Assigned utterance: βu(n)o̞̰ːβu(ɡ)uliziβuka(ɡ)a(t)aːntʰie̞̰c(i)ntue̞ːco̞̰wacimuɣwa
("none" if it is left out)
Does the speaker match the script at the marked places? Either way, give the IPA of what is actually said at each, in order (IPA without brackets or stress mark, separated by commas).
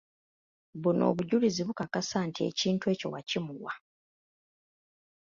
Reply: n, ɟ, k, s, iː